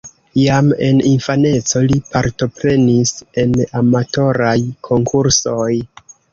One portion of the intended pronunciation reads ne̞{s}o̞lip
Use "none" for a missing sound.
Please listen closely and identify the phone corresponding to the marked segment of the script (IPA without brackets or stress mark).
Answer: t͡s